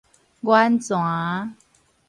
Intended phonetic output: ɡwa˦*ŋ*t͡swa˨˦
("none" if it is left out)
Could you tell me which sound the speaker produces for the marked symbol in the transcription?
n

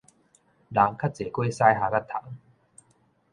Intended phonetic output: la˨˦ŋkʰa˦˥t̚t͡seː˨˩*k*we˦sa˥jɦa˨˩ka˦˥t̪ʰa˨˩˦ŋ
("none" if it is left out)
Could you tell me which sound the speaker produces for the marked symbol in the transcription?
k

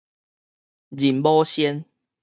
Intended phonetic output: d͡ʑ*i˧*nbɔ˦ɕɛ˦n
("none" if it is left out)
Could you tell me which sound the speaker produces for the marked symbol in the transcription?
i˨˩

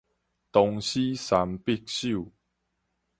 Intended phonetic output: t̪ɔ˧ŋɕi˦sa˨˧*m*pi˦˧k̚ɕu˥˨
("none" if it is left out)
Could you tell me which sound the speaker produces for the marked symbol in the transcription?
m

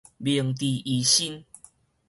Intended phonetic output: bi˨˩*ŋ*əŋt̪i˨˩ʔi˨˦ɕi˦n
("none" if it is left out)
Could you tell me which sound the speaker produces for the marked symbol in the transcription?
none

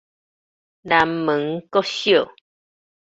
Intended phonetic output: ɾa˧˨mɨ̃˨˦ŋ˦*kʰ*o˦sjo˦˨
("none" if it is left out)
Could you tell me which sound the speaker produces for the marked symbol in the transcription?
k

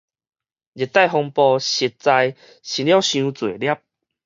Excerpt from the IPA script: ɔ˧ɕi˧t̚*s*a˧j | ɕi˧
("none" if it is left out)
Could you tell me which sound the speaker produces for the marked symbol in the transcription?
t͡s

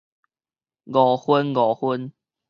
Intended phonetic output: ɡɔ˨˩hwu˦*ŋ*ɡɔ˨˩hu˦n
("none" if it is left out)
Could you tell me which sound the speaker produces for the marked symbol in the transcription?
n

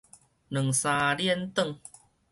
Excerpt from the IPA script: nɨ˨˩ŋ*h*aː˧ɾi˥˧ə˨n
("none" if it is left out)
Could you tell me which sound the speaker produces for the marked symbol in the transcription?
s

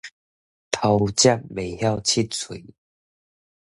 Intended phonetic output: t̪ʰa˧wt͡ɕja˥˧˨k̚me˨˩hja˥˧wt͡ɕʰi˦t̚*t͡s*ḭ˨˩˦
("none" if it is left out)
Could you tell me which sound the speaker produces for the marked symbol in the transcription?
t͡sʰ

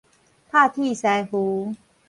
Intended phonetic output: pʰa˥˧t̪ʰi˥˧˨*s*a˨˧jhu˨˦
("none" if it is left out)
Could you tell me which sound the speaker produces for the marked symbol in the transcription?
s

